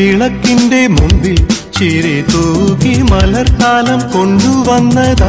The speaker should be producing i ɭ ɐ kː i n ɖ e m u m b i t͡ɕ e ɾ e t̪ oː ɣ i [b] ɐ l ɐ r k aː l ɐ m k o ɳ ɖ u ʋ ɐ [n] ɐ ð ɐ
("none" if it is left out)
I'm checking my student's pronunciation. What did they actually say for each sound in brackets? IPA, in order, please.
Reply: m, nː

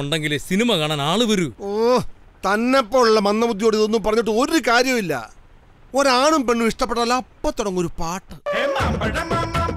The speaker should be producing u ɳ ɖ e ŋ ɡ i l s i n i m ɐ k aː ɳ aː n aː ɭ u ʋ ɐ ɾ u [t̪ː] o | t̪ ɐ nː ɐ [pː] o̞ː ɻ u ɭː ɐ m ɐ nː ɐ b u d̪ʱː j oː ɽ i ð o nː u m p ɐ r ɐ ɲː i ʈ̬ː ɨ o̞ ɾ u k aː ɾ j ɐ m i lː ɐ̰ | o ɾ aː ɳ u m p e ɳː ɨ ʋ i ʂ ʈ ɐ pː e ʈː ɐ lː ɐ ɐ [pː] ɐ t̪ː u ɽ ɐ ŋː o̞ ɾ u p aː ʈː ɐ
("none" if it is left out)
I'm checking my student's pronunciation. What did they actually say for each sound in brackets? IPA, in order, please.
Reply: none, pː, pː

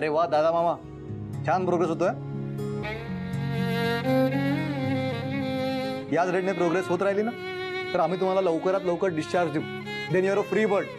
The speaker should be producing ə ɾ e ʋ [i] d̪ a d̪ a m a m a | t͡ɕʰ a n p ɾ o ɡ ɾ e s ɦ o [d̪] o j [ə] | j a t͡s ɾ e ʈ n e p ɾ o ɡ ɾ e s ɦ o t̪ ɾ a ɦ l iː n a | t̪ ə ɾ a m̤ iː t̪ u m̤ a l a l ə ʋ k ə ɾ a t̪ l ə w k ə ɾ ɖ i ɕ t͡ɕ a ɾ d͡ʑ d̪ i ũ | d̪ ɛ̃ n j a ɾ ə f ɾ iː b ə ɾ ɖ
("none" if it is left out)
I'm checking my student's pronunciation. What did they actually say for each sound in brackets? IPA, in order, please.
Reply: a, t̪, a

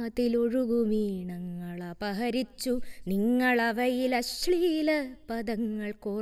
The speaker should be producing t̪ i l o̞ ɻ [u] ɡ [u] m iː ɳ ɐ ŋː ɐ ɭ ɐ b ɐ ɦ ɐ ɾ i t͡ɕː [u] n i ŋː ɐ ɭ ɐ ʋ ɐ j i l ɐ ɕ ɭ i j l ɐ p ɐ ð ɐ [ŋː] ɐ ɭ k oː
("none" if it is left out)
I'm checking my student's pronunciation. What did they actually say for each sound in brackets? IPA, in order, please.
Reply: u, u, u, ŋː

